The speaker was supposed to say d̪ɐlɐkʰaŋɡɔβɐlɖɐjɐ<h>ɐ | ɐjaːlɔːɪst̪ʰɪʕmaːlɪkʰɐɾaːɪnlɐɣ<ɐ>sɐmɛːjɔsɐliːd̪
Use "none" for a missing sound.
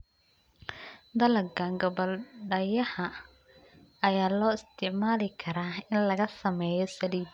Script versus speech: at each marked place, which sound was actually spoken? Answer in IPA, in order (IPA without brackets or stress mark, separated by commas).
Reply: h, ɐ